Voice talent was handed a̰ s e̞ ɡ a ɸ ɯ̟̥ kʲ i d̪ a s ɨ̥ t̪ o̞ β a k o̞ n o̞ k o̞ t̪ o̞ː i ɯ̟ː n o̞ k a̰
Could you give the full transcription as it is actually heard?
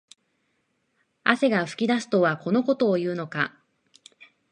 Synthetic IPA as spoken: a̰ s e̞ ɡ a ɸ ɯ̟̥ kʲ i d̪ a s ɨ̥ t̪ o̞ β a k o̞ n o̞ k o̞ t̪ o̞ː j ɯ̟ː n o̞ k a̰